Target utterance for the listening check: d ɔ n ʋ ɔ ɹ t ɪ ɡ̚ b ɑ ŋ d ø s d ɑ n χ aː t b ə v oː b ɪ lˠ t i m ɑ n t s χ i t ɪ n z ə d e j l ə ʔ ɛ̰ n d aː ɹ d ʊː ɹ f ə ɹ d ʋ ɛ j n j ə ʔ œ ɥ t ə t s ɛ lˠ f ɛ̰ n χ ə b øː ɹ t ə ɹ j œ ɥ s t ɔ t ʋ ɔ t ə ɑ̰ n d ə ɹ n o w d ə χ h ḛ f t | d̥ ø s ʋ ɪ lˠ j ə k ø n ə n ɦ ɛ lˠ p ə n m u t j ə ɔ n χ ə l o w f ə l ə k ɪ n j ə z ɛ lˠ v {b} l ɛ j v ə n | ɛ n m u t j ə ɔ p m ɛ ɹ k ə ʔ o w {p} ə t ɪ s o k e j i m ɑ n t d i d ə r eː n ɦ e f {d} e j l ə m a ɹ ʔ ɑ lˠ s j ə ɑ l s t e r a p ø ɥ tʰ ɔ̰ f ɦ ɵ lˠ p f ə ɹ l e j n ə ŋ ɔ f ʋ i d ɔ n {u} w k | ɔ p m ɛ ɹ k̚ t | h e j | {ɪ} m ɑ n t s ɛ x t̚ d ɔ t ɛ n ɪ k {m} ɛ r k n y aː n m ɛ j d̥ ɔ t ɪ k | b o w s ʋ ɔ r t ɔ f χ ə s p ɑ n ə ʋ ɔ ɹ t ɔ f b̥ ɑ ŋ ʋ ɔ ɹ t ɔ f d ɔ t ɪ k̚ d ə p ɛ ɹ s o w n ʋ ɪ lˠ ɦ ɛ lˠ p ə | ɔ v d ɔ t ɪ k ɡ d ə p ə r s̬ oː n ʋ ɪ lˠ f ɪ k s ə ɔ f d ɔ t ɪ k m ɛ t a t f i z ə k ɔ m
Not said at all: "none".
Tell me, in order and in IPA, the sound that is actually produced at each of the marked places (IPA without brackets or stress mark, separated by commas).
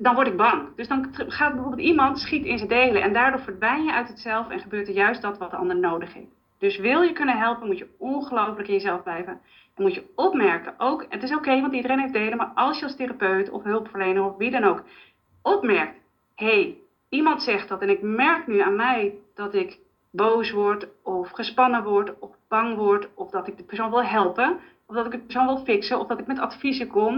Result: b, k, d, o, i, m